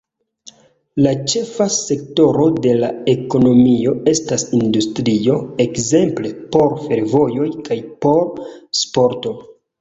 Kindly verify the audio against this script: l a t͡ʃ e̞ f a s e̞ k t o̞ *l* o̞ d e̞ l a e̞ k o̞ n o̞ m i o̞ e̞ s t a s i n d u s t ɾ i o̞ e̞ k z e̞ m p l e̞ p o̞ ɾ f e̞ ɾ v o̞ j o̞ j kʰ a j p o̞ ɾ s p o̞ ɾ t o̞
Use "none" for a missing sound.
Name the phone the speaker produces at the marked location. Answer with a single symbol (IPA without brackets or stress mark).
ɾ